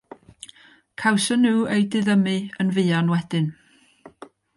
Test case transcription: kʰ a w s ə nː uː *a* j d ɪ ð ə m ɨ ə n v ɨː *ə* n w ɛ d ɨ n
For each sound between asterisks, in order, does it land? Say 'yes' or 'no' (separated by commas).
no, no